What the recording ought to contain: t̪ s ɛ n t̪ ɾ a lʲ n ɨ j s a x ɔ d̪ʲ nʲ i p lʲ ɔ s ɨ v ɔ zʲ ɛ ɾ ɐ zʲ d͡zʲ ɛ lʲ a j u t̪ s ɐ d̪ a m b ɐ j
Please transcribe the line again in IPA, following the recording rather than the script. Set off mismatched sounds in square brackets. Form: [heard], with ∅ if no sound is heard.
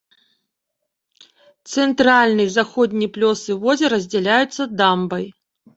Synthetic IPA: t̪ s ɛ n t̪ ɾ a lʲ n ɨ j [z] a x ɔ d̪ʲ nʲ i p lʲ ɔ s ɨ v ɔ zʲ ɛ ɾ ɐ zʲ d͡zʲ ɛ lʲ a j u t̪ [sː] ɐ d̪ a m b ɐ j